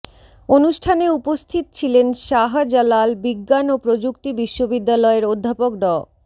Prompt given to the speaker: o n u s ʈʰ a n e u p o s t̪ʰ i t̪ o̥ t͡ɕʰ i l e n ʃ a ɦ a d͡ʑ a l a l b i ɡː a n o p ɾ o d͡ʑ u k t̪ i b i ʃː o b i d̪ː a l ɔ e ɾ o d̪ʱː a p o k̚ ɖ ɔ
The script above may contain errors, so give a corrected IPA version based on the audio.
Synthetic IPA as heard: o n u ʃ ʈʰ a n e u p o s t̪ʰ i t̪ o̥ t͡ɕʰ i l e n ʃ a ɦ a d͡ʑ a l a l b i ɡː a n o p ɾ o d͡ʑ u k t̪ i b i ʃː o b i d̪ː a l ɔ e ɾ o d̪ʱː a p o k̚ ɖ ɔ